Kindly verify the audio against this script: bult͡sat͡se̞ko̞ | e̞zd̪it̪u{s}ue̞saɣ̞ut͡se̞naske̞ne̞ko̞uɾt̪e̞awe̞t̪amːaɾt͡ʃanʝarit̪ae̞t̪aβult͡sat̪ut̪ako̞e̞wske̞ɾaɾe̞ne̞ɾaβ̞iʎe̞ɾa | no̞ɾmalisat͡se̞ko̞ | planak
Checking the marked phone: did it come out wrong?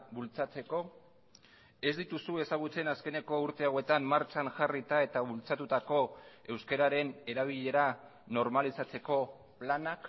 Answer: no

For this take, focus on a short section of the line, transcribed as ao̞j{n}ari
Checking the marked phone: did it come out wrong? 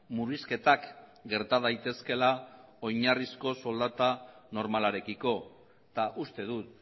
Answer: yes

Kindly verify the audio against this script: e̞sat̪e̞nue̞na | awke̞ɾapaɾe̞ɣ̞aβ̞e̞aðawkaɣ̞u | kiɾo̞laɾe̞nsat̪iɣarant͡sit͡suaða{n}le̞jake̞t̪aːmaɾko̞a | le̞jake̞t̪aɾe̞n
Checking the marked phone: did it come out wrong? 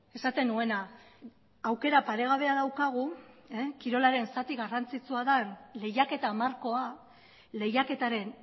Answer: no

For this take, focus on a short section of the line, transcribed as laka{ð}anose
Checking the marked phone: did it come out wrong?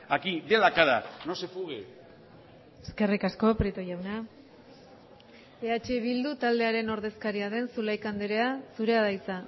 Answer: no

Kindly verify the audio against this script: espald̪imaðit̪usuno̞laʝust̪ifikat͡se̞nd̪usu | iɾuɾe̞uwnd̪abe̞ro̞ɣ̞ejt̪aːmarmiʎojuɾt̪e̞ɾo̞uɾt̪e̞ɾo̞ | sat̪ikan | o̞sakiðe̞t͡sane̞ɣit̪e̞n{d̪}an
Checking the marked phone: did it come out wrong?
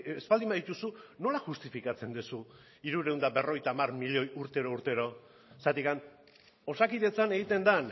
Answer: no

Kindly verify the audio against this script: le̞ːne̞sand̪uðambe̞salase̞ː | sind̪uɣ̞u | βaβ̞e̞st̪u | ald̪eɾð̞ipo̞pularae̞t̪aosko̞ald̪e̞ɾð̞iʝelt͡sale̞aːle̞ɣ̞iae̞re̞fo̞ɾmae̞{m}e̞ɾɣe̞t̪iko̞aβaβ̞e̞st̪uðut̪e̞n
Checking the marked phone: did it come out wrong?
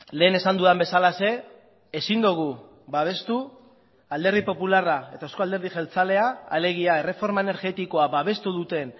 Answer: yes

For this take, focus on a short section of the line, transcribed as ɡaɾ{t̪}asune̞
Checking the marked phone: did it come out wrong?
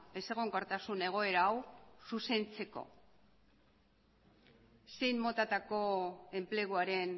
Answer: no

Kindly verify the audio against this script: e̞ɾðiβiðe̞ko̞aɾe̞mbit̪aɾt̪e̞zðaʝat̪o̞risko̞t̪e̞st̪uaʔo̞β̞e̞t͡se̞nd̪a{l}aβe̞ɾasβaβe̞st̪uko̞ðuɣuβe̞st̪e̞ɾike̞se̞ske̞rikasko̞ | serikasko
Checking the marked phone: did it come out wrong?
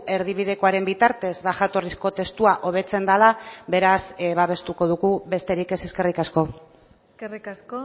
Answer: no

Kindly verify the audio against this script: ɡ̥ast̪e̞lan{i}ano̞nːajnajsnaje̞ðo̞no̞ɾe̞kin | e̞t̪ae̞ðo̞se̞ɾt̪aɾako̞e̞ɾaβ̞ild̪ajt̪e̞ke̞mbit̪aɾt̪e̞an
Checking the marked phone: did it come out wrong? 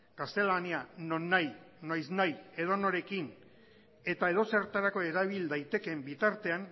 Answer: no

